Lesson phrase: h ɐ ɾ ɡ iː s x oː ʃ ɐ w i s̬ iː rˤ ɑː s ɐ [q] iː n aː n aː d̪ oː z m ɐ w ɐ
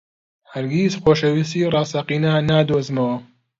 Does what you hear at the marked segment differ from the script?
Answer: no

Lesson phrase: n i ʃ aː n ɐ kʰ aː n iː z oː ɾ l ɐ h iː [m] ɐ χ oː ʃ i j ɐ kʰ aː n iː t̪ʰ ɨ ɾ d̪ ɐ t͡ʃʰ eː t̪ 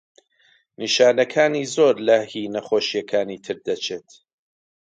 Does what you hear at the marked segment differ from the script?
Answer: yes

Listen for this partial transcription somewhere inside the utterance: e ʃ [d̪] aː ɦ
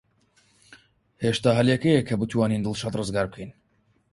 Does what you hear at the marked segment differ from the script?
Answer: yes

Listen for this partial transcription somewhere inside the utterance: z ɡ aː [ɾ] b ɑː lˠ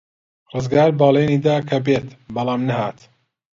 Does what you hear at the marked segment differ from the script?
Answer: no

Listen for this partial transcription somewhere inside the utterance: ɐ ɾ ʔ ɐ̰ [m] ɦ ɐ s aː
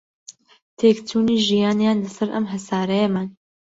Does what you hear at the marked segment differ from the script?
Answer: no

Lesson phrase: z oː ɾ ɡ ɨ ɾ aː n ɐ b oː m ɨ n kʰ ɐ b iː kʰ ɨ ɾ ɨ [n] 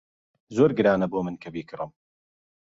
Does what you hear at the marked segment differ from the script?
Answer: yes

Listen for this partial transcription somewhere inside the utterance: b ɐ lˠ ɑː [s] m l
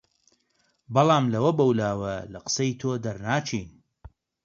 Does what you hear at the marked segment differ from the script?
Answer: yes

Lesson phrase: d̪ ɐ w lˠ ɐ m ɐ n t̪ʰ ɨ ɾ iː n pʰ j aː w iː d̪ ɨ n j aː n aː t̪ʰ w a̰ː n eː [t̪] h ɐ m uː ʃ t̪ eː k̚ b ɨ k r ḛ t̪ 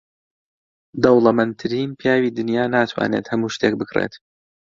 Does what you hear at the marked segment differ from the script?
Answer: no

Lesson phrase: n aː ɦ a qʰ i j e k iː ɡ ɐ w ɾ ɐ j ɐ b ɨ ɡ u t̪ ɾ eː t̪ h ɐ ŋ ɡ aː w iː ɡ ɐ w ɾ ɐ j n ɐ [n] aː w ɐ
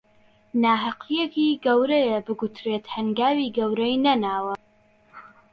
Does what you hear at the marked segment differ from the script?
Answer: no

